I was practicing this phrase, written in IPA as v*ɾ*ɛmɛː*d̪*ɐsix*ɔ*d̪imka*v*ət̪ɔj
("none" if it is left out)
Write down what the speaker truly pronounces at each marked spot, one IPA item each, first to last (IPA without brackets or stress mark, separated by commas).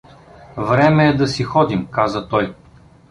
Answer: ɾ, d̪, ɔ, z